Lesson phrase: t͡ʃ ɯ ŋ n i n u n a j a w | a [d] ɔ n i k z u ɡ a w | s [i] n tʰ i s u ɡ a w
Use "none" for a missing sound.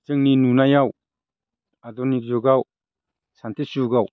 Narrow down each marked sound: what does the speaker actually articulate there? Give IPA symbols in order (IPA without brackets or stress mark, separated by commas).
d, a